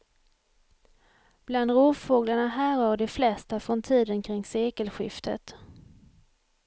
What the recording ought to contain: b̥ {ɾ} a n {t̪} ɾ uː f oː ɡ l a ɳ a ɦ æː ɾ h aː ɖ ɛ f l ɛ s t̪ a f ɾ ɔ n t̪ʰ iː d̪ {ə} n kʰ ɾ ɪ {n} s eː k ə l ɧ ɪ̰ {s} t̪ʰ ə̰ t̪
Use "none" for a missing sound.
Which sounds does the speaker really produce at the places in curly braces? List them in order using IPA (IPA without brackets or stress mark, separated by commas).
l, d̪, ə, ŋ, f